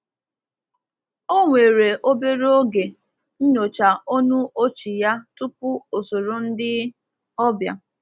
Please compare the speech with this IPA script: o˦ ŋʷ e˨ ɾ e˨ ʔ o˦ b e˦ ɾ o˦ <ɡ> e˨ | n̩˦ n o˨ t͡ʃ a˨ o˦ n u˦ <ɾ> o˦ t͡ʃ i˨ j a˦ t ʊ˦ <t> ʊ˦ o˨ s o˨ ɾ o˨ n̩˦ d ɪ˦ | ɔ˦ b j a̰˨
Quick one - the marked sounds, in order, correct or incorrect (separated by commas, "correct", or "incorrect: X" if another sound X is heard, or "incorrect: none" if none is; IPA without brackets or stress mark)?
correct, incorrect: none, incorrect: p